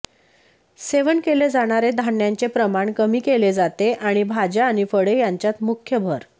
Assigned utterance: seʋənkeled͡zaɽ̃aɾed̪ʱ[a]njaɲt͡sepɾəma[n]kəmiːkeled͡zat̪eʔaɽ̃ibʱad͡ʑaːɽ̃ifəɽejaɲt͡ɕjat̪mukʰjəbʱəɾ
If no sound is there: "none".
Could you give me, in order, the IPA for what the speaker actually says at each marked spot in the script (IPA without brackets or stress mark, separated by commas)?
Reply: a, ɳ